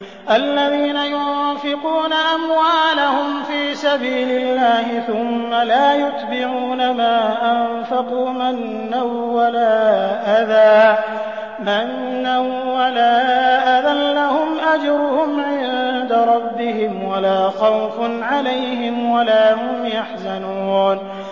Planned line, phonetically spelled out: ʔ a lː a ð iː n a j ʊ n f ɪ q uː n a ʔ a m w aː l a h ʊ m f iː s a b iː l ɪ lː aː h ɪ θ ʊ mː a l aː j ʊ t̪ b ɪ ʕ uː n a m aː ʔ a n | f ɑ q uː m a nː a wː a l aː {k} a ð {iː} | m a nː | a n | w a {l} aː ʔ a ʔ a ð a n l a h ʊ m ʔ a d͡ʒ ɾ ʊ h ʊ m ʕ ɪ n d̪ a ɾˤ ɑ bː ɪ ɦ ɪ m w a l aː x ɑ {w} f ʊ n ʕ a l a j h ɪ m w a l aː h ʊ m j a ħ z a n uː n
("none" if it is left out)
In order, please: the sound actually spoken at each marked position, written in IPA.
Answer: ʔ, aː, l, w

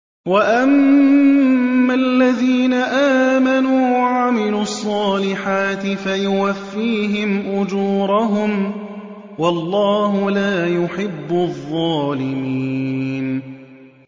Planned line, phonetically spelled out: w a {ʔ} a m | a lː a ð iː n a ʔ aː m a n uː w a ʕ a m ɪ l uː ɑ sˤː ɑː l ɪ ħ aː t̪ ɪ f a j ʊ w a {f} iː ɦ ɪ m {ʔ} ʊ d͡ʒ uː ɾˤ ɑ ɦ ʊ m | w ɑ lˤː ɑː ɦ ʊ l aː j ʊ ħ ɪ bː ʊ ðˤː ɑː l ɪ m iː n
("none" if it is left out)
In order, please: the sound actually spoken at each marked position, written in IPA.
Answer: ʔ, fː, ʔ

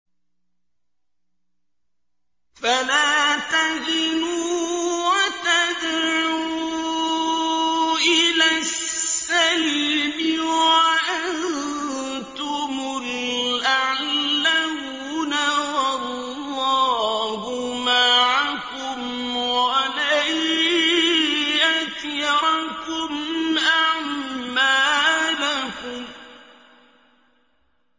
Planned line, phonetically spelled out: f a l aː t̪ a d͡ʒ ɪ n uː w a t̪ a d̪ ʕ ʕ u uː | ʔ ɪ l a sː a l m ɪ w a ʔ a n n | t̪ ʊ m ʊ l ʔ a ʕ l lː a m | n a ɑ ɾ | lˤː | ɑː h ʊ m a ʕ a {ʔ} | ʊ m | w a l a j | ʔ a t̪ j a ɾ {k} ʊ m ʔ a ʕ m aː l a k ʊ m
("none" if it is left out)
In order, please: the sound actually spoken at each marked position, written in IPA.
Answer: k, k

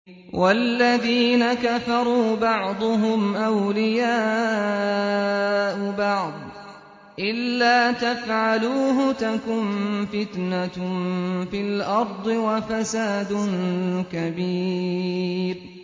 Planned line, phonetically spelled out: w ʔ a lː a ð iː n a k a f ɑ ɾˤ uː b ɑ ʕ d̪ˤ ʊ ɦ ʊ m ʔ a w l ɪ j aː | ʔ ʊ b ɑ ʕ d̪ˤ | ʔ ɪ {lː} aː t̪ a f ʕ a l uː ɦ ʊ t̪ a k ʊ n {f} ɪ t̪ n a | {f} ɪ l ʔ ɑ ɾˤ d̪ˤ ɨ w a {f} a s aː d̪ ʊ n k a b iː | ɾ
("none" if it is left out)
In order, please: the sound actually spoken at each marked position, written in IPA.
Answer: lː, f, f, f

